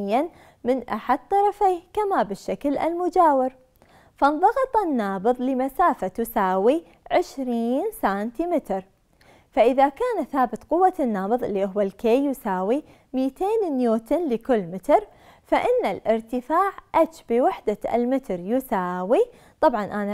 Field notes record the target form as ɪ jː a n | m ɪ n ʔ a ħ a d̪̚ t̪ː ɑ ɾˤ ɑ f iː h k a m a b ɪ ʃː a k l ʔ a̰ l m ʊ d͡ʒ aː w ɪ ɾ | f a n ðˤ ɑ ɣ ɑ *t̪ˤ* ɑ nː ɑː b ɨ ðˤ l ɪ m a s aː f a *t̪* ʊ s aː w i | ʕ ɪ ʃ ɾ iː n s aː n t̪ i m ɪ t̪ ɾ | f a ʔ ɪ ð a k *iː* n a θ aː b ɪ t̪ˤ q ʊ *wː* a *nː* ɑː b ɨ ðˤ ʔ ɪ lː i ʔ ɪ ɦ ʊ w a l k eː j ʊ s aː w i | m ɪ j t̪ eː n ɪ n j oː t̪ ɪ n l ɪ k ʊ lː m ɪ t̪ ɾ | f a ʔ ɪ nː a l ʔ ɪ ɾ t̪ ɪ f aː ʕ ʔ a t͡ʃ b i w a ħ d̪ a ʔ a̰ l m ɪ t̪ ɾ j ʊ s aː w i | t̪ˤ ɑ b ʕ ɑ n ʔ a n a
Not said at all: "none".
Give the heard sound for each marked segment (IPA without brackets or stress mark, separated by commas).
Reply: t̪ˤ, t̪, aː, wː, nː